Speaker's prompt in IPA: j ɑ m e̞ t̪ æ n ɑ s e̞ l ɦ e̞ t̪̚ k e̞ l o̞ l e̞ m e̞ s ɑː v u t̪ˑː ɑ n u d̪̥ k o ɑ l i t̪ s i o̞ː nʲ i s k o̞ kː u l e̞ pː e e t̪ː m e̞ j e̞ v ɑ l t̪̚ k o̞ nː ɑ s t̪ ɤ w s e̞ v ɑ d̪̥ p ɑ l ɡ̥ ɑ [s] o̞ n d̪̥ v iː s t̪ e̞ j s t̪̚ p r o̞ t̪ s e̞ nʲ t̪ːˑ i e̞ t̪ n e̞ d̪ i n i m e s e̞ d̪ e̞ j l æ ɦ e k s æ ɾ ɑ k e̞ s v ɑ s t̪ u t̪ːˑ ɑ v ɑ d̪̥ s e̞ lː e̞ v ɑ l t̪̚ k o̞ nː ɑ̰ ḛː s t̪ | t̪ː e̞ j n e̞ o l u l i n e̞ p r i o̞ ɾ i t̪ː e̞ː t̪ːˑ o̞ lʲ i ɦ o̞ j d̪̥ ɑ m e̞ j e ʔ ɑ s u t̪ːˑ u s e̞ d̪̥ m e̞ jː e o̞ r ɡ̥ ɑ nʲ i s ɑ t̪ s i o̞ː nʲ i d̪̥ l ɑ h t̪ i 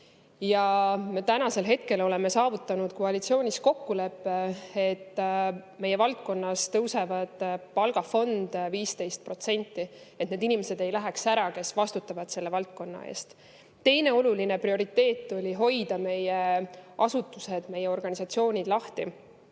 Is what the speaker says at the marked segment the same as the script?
no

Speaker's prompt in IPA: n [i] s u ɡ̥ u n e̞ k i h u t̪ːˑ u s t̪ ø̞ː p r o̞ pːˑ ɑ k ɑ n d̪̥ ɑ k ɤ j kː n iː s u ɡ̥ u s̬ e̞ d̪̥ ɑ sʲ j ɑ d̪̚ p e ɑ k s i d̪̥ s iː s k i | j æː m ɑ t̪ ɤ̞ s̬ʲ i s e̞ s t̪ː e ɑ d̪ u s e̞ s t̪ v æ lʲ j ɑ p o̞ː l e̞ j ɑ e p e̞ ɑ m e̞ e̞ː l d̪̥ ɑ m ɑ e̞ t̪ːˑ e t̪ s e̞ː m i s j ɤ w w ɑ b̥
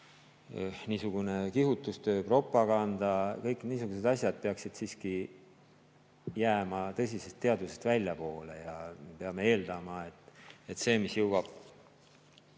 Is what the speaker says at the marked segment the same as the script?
no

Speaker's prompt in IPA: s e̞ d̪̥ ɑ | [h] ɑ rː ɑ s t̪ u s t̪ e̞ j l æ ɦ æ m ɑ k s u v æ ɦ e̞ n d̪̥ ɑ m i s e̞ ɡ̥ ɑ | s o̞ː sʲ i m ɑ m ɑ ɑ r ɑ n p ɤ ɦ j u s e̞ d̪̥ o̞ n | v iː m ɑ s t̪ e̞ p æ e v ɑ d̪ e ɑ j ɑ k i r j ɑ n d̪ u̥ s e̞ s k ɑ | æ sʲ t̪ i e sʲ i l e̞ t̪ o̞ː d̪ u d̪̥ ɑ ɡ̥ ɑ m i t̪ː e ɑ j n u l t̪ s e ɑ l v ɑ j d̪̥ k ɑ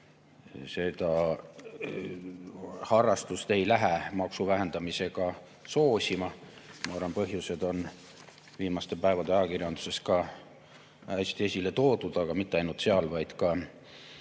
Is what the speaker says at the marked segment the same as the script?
yes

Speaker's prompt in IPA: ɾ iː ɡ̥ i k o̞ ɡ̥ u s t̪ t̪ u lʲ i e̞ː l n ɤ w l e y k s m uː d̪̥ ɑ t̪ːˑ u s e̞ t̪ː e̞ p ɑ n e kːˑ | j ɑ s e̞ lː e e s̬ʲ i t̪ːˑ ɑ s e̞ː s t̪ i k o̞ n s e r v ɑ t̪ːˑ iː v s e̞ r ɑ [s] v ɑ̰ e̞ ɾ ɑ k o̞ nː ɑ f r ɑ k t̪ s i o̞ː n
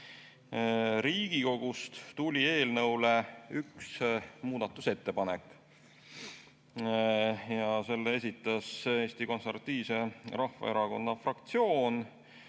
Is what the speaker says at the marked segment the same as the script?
no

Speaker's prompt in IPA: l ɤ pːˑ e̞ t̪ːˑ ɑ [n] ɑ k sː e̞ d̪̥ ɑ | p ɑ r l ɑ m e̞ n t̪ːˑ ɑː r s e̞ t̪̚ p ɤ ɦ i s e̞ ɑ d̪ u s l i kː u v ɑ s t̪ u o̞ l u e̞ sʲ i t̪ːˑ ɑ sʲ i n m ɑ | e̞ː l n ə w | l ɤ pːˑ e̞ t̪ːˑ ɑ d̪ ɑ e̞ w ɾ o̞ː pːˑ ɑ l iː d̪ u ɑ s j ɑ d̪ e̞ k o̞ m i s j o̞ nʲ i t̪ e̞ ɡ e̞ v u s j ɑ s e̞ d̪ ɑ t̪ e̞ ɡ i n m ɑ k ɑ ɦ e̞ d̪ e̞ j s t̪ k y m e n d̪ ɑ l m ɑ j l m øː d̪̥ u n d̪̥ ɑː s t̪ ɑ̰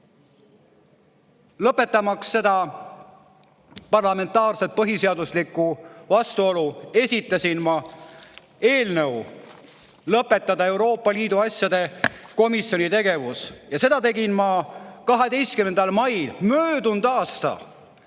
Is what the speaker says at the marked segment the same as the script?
no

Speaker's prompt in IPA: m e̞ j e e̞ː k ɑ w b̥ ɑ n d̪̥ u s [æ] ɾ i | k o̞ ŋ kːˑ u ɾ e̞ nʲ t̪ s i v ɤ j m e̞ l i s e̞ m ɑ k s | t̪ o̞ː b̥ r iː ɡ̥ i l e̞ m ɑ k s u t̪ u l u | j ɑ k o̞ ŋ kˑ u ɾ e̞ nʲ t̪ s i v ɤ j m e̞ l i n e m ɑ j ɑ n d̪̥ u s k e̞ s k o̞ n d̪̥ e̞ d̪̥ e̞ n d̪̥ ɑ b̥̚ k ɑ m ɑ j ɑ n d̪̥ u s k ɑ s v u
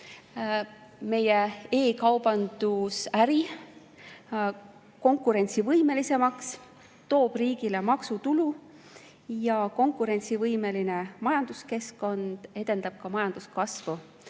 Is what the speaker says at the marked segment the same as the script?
yes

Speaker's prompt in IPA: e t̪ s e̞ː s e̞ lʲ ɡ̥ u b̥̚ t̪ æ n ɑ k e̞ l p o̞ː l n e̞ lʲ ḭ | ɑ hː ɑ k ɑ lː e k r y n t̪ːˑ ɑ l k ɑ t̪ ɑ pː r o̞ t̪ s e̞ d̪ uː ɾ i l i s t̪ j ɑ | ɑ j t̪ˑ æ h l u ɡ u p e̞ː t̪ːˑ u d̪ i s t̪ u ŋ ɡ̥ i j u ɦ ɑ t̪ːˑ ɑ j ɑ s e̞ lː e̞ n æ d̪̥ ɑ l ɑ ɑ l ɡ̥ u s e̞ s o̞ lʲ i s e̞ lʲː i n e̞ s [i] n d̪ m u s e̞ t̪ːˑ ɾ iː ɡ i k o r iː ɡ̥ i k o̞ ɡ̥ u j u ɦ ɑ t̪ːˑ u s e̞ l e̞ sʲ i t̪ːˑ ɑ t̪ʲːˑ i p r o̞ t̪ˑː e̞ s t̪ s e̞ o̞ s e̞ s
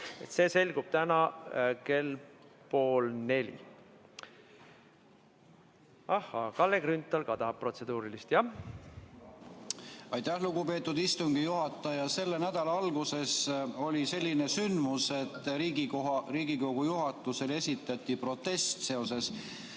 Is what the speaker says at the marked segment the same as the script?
no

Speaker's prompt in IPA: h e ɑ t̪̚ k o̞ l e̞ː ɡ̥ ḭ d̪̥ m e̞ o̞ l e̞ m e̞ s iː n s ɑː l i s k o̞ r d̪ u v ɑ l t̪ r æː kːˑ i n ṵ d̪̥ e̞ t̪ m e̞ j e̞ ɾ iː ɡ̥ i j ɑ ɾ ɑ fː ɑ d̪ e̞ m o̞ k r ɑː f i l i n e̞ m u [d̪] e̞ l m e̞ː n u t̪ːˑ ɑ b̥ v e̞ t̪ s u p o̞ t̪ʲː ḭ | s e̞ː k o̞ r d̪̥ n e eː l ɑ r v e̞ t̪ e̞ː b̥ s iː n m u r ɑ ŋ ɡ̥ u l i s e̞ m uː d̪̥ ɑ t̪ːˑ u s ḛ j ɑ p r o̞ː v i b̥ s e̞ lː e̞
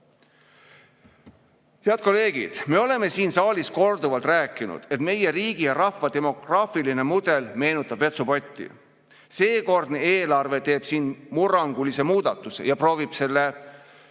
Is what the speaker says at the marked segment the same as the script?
yes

